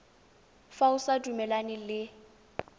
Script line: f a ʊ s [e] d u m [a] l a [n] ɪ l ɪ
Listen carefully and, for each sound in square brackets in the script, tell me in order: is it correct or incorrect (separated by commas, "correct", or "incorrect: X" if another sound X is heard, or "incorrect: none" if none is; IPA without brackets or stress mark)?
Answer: incorrect: a, incorrect: ɛ, correct